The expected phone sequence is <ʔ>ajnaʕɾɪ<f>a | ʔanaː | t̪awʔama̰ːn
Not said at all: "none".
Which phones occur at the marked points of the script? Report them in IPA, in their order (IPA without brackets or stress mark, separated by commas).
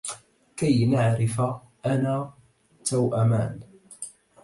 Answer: k, f